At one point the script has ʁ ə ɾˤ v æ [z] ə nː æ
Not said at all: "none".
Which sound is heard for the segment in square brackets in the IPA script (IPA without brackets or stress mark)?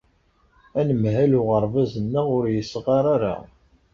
z